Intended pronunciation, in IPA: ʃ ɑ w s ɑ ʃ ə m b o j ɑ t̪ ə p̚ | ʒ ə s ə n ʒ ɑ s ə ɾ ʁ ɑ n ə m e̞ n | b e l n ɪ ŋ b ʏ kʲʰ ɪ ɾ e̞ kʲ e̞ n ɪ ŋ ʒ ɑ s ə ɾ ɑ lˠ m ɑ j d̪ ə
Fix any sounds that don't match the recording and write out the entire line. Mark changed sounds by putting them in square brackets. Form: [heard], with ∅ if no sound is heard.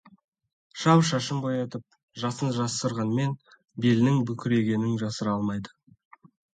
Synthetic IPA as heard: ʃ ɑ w [ʃ] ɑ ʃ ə m b o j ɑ t̪ ə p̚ | ʒ [ɑ] s ə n ʒ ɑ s ə ɾ ʁ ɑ n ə m e̞ n | b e l n ɪ ŋ b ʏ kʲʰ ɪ ɾ e̞ [ɡʲ] e̞ n ɪ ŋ ʒ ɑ s ə ɾ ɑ lˠ m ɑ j d̪ ə